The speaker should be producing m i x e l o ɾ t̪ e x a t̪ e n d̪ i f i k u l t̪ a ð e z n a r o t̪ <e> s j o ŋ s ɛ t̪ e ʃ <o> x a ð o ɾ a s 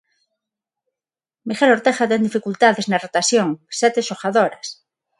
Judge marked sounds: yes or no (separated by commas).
no, yes